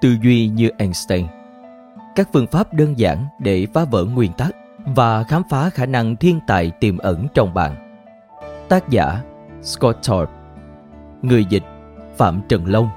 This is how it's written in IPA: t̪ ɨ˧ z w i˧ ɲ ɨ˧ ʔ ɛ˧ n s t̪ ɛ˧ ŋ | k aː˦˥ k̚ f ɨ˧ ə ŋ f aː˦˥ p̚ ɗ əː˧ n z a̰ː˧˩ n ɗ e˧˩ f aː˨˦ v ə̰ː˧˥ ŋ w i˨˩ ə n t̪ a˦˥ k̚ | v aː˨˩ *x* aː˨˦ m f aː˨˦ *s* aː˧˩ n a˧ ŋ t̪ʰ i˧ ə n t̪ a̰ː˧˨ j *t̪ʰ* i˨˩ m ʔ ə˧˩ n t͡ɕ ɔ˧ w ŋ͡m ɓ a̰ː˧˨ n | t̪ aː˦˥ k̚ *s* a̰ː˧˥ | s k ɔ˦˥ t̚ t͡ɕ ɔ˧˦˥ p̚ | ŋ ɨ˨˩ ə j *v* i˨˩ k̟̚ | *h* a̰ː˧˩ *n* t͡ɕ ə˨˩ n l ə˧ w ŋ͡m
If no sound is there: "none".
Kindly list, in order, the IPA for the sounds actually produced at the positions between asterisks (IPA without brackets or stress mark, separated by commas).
x, x, t̪, z, z, f, m